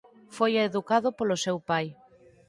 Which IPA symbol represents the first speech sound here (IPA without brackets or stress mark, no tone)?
f